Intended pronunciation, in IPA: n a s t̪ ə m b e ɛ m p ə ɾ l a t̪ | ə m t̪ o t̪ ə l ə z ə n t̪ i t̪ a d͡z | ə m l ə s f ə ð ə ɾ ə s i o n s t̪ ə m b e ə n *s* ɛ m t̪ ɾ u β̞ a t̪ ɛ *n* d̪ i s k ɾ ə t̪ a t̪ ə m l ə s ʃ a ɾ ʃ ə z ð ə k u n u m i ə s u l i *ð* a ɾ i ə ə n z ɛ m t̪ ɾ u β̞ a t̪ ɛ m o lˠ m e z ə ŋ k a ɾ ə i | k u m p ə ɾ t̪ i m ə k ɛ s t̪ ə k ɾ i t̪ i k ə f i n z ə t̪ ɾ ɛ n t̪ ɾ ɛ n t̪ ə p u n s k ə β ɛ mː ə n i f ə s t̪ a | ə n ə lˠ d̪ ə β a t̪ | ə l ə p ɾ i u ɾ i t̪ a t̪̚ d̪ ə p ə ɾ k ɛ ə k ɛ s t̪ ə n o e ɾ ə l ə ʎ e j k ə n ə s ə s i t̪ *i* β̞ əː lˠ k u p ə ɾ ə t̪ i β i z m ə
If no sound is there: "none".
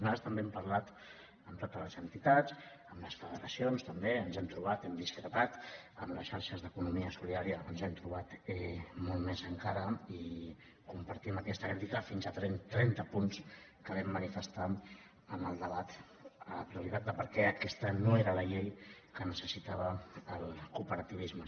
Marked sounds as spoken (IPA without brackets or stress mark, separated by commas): z, m, ð, a